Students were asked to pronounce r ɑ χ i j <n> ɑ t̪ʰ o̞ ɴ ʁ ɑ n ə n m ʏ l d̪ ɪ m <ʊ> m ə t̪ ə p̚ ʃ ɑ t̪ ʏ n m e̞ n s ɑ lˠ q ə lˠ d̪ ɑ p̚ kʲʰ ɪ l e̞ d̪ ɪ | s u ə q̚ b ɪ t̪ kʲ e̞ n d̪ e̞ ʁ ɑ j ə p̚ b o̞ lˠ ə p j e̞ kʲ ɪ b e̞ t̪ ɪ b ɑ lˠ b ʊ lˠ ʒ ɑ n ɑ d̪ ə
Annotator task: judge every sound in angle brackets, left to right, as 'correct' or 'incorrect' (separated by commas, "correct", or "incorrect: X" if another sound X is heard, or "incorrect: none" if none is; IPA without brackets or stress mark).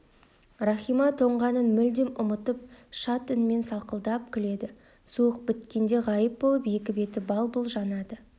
incorrect: m, correct